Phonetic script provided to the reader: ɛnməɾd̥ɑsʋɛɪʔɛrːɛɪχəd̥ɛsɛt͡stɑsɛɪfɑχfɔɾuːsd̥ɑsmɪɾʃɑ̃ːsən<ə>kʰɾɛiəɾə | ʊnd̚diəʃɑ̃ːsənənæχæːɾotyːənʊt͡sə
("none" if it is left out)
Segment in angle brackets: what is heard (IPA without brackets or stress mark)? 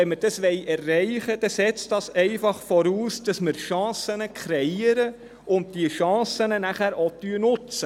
ə